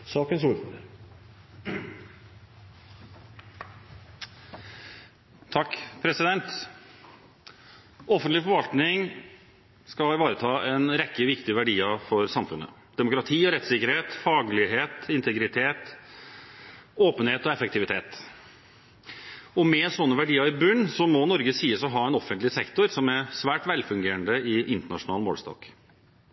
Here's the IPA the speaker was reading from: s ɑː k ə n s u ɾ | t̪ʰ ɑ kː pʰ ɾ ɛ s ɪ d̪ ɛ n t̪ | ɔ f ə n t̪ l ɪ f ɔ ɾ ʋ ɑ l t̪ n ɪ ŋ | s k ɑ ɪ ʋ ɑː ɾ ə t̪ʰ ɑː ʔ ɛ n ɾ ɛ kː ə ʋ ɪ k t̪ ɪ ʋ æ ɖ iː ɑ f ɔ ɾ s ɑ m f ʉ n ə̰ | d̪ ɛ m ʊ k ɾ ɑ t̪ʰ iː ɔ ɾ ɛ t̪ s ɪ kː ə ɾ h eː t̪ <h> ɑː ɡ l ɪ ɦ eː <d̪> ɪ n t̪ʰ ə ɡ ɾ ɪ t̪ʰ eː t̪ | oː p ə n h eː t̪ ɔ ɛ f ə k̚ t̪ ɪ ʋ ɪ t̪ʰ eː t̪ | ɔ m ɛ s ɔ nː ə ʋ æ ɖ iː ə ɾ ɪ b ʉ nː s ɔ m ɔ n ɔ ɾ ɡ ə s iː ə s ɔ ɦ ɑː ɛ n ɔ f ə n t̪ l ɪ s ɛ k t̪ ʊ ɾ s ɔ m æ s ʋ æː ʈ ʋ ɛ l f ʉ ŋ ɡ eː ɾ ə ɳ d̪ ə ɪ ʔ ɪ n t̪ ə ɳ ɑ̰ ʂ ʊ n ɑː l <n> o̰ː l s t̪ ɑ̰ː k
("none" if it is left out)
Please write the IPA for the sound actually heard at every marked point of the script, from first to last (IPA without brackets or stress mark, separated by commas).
f, t̪, m